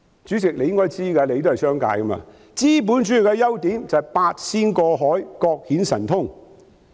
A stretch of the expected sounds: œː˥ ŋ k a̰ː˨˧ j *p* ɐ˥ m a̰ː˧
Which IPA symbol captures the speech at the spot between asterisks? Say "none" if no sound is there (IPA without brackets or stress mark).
k